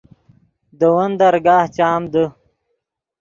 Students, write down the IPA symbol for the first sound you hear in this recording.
d̪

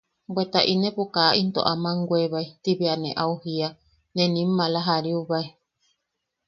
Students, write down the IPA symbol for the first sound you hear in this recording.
b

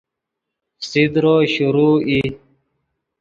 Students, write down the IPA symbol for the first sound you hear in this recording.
s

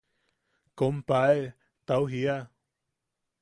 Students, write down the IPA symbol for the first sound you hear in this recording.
k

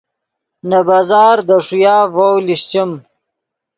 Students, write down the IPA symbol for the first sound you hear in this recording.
n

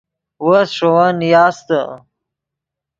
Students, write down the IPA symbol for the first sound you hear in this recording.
w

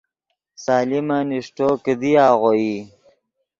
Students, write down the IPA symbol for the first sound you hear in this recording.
s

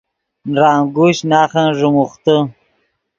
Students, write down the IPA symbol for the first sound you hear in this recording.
n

